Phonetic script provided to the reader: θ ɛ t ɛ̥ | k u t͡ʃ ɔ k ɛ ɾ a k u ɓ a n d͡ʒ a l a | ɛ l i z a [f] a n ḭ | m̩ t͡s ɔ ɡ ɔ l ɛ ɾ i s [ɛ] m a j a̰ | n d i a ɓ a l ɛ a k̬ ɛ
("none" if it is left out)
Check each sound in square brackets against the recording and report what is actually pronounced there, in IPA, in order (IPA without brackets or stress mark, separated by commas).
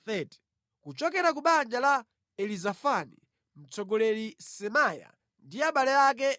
f, ɛ